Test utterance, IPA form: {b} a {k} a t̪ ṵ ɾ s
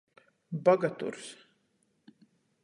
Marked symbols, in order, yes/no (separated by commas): yes, no